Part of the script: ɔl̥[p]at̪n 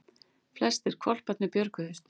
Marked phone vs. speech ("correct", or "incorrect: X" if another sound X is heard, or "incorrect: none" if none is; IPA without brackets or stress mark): correct